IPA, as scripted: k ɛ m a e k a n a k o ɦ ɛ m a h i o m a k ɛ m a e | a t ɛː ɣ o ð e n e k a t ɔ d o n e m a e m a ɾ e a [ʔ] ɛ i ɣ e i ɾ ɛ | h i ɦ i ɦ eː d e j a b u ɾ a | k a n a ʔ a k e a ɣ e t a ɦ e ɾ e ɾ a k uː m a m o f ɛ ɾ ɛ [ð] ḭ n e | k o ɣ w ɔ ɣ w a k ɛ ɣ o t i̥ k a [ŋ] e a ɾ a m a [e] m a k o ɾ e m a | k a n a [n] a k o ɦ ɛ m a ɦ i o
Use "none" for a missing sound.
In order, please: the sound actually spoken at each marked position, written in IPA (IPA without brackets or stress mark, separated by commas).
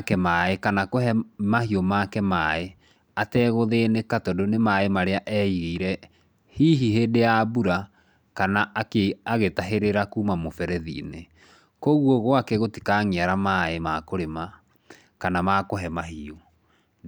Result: ʔ, ð, ŋ, e, m